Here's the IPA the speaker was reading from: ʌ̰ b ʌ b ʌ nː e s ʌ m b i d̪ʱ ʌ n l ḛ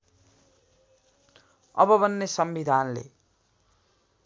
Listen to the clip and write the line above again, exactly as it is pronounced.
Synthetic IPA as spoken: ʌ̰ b ʌ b ʌ nː e s ʌ m b i d̪ʱ a n l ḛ